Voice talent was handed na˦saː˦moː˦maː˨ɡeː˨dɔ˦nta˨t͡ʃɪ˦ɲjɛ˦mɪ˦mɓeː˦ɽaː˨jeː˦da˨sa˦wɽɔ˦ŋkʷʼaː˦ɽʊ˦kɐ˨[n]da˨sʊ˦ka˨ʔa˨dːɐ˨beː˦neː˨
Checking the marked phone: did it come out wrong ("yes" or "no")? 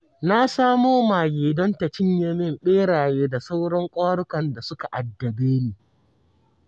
no